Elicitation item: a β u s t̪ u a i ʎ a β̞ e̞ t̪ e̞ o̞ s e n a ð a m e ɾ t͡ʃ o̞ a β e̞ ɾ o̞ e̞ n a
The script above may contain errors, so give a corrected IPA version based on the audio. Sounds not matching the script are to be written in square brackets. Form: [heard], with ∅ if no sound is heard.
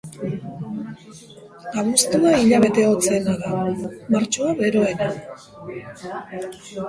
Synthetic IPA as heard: a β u s t̪ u a i ʎ a β̞ e̞ t̪ e̞ o̞ [t͡s] e n a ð a m [a] ɾ t͡ʃ o̞ a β e̞ ɾ o̞ e̞ n a